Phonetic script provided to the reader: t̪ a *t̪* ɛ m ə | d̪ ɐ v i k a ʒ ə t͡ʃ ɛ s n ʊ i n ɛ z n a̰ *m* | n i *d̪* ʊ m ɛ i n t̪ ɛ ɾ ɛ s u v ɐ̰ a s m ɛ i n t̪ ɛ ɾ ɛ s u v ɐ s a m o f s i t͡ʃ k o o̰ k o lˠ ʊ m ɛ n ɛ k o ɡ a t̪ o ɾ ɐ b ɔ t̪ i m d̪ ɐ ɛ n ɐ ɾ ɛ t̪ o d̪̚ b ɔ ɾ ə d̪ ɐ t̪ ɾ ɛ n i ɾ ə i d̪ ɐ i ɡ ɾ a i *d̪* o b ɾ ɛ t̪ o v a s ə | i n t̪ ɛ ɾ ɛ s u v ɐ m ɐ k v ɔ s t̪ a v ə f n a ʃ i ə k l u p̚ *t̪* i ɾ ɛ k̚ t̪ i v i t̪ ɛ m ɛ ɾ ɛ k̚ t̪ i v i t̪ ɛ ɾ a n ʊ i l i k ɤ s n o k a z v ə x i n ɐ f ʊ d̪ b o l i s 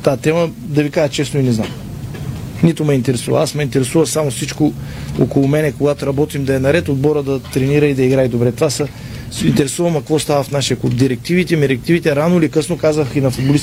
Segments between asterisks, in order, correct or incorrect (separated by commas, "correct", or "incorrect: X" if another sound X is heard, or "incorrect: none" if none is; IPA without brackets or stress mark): correct, correct, incorrect: t̪, correct, incorrect: d̪